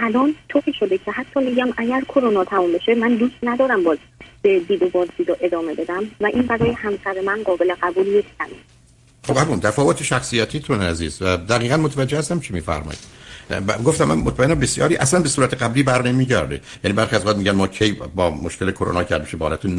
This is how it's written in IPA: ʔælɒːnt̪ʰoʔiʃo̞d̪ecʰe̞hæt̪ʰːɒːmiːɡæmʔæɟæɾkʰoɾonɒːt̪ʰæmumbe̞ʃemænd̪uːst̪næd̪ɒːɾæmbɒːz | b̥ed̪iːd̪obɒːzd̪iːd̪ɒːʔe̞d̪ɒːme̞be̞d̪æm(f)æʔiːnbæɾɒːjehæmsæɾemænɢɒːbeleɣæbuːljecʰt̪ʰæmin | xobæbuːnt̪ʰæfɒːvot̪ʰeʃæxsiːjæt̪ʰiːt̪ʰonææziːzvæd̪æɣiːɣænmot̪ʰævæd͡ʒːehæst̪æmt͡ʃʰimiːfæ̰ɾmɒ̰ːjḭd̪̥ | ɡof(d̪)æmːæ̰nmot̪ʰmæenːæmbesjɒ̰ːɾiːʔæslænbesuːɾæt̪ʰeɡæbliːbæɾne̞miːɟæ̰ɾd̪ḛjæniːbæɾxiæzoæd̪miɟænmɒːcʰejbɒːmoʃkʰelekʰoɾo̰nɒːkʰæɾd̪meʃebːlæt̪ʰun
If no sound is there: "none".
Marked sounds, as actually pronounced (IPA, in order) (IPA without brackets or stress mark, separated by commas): v, t̪